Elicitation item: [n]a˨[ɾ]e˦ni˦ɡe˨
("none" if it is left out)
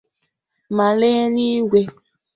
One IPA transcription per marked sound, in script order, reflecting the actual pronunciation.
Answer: m, l

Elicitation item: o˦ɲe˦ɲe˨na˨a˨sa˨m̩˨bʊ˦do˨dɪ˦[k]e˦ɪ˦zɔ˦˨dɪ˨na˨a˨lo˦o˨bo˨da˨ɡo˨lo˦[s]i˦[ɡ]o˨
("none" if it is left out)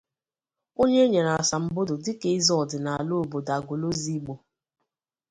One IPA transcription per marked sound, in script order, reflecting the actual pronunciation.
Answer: k, z, ɡ͡b

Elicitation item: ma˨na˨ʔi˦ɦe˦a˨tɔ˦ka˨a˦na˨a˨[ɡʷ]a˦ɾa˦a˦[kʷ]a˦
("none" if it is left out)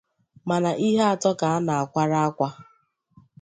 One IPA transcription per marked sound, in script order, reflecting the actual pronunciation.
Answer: kʷ, kʷ

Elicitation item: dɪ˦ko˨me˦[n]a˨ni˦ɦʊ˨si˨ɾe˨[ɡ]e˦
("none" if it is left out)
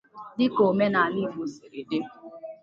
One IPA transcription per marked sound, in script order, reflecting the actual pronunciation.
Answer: n, d

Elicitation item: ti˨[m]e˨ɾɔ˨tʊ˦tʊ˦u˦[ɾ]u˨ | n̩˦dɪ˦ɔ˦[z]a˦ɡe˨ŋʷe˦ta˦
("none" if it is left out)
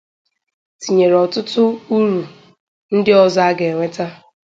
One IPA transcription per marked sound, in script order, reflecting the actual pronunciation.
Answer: ɲ, ɾ, z

